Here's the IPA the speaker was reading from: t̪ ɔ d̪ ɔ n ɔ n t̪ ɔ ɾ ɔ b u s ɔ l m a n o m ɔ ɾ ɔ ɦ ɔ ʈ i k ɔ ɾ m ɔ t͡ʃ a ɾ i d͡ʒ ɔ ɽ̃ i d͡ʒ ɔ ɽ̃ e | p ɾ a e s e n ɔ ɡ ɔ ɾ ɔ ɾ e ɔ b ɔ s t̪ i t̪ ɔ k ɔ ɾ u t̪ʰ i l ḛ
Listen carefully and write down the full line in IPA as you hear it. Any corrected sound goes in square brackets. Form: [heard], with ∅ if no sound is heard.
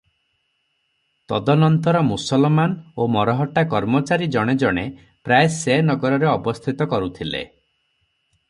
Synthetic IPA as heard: t̪ ɔ d̪ ɔ n ɔ n t̪ ɔ ɾ ɔ [m] u s ɔ l m a n o m ɔ ɾ ɔ ɦ ɔ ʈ [a] k ɔ ɾ m ɔ t͡ʃ a ɾ i d͡ʒ ɔ ɽ̃ [e] d͡ʒ ɔ ɽ̃ e | p ɾ a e s e n ɔ ɡ ɔ ɾ ɔ ɾ e ɔ b ɔ s [t̪ʰ] i t̪ ɔ k ɔ ɾ u t̪ʰ i l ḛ